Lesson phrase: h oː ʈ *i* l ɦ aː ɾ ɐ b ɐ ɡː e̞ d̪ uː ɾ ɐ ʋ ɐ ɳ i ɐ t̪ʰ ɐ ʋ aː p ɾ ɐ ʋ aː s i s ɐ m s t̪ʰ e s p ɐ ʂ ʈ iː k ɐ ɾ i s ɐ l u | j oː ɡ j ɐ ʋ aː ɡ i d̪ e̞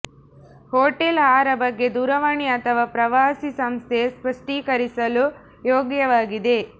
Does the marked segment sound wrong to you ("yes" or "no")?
yes